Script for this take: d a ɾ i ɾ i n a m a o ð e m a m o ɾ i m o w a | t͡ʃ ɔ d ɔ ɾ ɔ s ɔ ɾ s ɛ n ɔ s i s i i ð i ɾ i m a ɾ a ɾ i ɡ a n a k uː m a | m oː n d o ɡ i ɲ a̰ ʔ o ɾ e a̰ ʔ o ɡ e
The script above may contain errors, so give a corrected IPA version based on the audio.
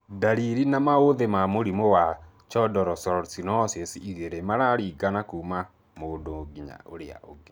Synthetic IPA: d a ɾ i ɾ i n a m a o ð e m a m o ɾ i m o w a | t͡ʃ ɔ d ɔ ɾ ɔ s ɔ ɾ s i n ɔ s e s i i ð e ɾ e m a ɾ a ɾ i ɡ a n a k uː m a | m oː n d o ɡ i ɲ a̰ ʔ o ɾ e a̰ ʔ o ɡ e

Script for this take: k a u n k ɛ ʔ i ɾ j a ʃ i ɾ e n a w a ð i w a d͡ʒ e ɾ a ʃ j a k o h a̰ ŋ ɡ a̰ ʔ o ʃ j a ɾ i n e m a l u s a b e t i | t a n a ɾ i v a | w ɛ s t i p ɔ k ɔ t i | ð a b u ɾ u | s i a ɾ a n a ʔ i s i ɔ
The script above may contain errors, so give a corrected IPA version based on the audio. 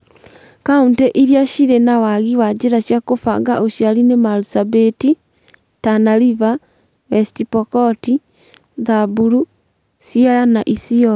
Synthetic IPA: k a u n t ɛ ʔ i ɾ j a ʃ i ɾ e n a w a ɣ i w a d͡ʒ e ɾ a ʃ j a k o f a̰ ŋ ɡ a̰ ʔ o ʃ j a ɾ i n e m a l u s a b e t i | t a n a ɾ i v a | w ɛ s t i p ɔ k ɔ t i | ð a b u ɾ u | s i a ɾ a n a ʔ i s i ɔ

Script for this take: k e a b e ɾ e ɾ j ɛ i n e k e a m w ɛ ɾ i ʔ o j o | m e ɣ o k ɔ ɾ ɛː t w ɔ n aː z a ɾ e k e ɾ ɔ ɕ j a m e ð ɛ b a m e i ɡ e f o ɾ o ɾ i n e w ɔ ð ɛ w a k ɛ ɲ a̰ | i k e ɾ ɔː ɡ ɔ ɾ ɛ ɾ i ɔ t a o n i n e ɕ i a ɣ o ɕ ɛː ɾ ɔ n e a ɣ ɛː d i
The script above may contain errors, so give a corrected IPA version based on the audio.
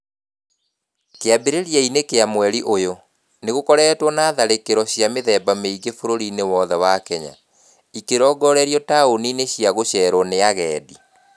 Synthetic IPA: k e a b e ɾ e ɾ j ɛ i n e k e a m w ɛ ɾ i ʔ o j o | n e ɣ o k ɔ ɾ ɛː t w ɔ n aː ð a ɾ e k e ɾ ɔ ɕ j a m e ð ɛ b a m e i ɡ e f o ɾ o ɾ i n e w ɔ ð ɛ w a k ɛ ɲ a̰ | i k e ɾ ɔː ɡ ɔ ɾ ɛ ɾ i ɔ t a o n i n e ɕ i a ɣ o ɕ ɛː ɾ ɔ n e a ɣ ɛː d i

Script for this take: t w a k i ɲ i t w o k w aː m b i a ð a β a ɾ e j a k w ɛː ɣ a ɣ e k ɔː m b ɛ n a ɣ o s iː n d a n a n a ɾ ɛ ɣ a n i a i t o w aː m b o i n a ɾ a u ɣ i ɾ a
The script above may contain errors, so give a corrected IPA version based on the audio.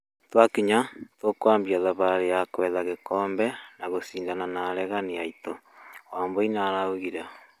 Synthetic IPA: t w a k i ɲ a t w o k w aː m b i a ð a β a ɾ e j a k w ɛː ð a ɣ e k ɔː m b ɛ n a ɣ o s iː n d a n a n a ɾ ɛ ɣ a n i a i t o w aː m b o i n a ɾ a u ɣ i ɾ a

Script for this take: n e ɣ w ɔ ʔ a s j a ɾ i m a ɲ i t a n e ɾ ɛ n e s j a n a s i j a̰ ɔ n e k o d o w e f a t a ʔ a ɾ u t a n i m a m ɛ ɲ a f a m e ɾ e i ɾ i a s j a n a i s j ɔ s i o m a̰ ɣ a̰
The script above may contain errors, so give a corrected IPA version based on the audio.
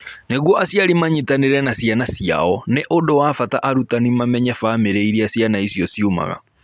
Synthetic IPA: n e ɣ w ɔ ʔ a s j a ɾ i m a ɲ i t a n e ɾ ɛ n a s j a n a s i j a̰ ɔ n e ʔ o d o w a f a t a ʔ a ɾ u t a n i m a m ɛ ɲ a f a m e ɾ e i ɾ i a s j a n a i s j ɔ s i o m a̰ ɣ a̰

